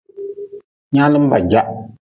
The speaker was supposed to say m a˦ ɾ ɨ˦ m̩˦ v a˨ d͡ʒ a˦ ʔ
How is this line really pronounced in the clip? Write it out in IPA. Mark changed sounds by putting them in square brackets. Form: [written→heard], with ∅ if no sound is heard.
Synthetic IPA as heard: [m→ɲ] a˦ [ɾ→l] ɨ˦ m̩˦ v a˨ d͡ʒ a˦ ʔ